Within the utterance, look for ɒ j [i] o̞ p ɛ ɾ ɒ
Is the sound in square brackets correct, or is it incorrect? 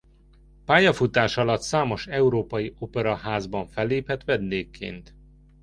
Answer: correct